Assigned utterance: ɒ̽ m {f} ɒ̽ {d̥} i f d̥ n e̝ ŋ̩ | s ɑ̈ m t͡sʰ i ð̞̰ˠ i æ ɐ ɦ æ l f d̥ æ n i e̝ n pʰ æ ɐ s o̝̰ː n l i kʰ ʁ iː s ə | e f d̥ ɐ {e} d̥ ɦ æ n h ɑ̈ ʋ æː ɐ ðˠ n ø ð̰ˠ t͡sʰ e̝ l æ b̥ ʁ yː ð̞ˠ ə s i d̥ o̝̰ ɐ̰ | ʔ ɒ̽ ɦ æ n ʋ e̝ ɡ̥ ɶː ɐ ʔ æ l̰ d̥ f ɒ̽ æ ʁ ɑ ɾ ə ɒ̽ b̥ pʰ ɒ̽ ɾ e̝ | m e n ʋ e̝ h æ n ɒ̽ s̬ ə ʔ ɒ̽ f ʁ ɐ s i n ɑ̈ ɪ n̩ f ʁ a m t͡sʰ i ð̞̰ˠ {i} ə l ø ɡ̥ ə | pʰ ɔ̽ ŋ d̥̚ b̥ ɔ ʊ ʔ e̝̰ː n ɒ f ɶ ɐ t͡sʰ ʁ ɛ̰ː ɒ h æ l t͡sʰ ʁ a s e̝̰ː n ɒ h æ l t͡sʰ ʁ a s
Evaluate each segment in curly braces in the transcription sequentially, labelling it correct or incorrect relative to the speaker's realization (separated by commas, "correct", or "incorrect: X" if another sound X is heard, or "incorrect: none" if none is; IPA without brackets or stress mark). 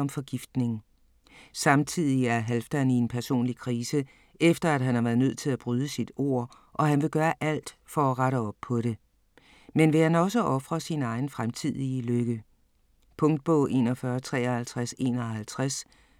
correct, incorrect: ɡ̥, incorrect: æ, correct